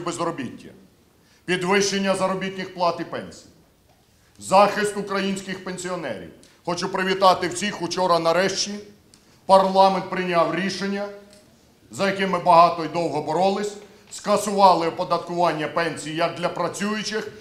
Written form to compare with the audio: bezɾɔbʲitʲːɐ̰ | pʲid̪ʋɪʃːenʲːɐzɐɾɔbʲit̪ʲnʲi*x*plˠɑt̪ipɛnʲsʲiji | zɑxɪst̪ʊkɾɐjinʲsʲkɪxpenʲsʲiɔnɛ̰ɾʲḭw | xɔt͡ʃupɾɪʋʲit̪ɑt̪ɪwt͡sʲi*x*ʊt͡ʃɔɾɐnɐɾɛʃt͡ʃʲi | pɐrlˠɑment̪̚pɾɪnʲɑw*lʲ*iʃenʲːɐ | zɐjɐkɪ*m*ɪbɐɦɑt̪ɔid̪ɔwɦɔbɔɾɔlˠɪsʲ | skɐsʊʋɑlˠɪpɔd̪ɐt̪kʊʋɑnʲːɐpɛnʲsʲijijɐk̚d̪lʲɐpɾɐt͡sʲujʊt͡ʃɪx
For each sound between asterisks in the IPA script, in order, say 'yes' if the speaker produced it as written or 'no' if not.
yes, yes, no, yes

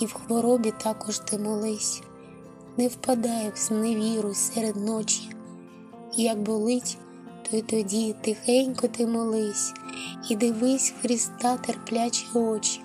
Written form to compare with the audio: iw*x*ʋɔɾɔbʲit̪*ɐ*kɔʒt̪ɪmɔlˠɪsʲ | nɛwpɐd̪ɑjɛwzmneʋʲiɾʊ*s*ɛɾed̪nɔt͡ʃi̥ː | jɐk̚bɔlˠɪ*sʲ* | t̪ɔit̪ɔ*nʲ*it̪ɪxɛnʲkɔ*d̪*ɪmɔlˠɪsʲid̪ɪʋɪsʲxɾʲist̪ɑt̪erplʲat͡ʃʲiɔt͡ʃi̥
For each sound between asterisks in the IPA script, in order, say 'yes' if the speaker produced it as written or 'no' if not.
yes, no, yes, no, no, no

